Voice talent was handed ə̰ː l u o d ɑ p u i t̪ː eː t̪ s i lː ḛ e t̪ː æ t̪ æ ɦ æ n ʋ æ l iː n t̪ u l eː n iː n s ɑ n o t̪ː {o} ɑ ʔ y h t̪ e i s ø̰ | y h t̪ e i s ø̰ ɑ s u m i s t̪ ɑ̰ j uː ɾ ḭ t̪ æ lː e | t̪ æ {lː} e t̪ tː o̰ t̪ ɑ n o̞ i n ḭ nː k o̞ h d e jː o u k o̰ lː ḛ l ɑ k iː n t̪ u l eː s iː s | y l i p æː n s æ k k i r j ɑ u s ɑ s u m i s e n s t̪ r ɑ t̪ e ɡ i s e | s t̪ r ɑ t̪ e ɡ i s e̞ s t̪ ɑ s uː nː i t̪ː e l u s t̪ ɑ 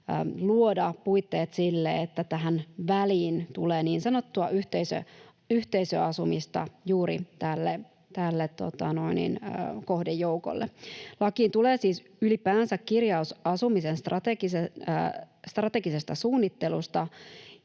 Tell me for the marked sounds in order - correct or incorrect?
incorrect: u, correct

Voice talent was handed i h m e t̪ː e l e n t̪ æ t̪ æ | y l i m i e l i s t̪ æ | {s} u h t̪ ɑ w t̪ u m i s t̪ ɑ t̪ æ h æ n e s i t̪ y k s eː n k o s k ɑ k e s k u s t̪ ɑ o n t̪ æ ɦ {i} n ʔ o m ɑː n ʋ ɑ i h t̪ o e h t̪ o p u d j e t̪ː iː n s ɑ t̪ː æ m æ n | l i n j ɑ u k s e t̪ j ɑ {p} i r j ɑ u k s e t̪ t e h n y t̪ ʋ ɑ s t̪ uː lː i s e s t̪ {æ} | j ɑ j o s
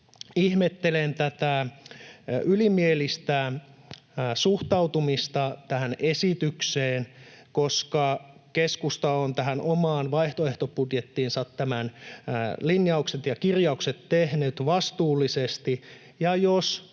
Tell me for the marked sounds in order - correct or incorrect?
correct, incorrect: æ, incorrect: k, incorrect: i

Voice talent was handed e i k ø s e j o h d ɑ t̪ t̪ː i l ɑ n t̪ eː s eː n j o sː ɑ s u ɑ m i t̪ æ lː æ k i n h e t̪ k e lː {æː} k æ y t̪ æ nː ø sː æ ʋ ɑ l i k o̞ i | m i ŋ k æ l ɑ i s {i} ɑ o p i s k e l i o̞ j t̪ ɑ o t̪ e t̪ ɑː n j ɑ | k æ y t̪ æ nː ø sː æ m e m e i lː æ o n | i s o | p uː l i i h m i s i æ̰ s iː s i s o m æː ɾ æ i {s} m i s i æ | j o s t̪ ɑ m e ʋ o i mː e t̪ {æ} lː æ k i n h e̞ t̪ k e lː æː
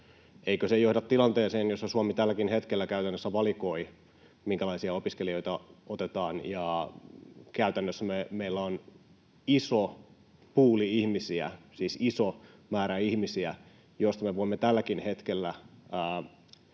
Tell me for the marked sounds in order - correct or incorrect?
incorrect: æ, correct, incorrect: h, correct

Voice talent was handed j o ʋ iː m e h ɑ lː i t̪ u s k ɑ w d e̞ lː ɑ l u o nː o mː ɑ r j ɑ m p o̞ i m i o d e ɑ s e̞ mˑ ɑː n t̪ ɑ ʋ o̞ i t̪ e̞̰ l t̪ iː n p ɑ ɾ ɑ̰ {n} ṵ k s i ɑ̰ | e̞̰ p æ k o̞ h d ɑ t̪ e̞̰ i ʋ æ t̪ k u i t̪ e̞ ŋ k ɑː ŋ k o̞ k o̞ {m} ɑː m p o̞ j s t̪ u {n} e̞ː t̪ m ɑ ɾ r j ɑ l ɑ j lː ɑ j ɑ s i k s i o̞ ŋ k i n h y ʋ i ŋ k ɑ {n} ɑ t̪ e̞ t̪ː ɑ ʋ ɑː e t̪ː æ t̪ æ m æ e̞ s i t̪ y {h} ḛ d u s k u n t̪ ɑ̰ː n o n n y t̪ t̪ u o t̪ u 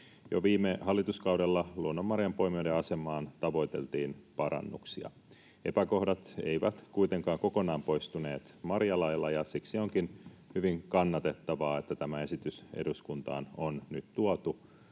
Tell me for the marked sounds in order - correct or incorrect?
incorrect: nː, incorrect: n, correct, incorrect: nː, incorrect: s

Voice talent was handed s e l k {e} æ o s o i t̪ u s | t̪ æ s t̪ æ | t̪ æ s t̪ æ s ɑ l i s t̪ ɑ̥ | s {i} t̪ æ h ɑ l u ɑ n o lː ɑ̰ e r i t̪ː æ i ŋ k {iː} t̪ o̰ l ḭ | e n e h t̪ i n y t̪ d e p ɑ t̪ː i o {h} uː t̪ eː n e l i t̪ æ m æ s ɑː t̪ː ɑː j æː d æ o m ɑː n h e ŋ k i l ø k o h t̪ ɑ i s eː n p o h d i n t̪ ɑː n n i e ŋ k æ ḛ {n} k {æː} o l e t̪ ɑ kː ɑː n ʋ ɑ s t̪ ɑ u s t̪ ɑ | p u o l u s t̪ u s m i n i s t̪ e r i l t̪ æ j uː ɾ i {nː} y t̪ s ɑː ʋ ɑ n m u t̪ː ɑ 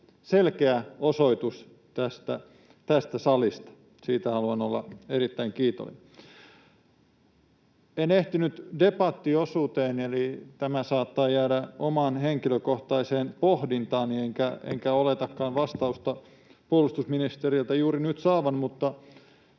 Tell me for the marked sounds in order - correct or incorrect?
correct, incorrect: iː, correct, incorrect: s, incorrect: ŋ, incorrect: æ, incorrect: n

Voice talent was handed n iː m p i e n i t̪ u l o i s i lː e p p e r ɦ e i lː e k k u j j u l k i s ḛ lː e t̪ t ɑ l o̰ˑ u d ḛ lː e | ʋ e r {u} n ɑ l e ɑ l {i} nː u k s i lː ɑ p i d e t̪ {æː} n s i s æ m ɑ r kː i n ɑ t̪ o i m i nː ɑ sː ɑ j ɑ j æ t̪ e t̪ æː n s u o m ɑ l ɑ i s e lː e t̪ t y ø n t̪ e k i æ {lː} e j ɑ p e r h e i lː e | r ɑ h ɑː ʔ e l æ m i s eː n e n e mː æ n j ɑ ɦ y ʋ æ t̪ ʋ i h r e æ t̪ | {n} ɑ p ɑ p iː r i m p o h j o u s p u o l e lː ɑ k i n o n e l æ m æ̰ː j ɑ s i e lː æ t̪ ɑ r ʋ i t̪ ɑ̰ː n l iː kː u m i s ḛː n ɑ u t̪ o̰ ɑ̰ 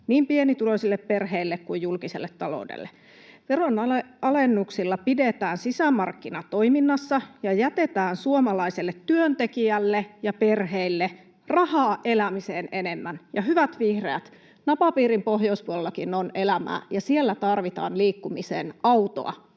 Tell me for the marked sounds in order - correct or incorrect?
incorrect: o, incorrect: e, correct, correct, correct

